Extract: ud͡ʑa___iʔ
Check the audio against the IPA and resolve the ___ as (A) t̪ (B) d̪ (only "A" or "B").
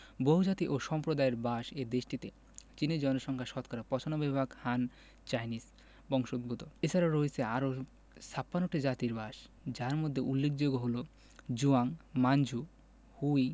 A